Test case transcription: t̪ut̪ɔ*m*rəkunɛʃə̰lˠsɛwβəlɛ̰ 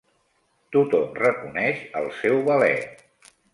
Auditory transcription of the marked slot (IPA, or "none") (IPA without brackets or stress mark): m